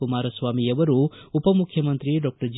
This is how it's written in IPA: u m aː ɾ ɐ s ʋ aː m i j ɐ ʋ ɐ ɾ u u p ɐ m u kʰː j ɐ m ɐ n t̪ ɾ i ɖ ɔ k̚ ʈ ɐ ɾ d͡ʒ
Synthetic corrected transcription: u m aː ɾ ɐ s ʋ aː m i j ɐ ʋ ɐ ɾ u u p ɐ m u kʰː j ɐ m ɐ n t̪ ɾ i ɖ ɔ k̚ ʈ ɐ ɾ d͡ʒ